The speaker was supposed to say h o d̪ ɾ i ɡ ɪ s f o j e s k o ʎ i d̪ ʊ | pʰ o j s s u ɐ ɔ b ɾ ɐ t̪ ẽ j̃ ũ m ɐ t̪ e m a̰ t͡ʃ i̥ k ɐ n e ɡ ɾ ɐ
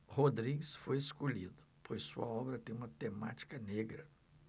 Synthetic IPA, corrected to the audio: h o d̪ ɾ i ɡ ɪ s f o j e s k o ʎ i d̪ ʊ | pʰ o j s s u ɐ ɔ b ɾ ɐ t̪ ẽ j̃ ũ m ɐ t̪ e m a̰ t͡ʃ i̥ k ɐ n e ɡ ɾ ɐ